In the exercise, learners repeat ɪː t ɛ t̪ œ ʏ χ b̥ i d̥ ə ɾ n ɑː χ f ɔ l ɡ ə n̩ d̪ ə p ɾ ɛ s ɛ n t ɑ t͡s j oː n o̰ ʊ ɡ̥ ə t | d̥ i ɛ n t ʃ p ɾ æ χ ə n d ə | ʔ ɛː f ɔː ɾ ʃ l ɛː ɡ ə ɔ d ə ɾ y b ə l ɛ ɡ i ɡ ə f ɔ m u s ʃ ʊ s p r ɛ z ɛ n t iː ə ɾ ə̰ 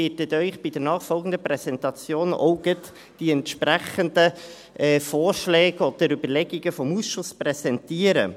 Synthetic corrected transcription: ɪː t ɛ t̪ œ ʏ χ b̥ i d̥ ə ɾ n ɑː χ f ɔ l ɡ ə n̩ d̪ ə p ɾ ɛ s ɛ n t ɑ t͡s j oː n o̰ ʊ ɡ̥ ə t | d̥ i ɛ n t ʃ p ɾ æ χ ə n d ə | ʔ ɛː f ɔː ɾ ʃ l ɛː ɡ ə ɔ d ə ɾ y b ə l ɛ ɡ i ɡ ə f ɔ m u s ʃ ʊ s p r ɛ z ɛ n t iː ə ɾ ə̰